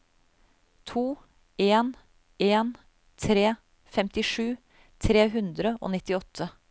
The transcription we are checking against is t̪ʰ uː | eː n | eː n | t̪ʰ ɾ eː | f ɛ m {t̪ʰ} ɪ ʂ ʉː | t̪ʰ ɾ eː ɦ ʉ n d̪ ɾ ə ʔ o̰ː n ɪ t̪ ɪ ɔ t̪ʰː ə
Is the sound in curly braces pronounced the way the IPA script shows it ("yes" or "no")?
no